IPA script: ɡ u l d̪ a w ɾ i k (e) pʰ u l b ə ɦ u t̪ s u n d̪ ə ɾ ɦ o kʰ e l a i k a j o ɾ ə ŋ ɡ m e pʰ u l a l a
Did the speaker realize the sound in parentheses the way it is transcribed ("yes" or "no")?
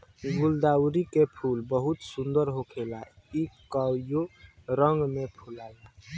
yes